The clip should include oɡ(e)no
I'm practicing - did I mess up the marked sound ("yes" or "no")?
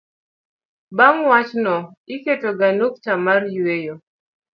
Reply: yes